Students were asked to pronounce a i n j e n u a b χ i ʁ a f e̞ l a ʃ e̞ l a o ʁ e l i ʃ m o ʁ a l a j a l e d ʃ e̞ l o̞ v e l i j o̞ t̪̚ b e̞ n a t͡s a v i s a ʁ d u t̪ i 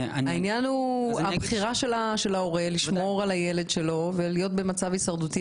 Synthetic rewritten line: a i n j a n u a b χ i ʁ a ʃ e̞ l a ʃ e̞ l a o ʁ e l i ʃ m o ʁ a l a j e l e d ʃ e̞ l o̞ v e l i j o̞ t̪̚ b e̞ m a t͡s a v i s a ʁ d u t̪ i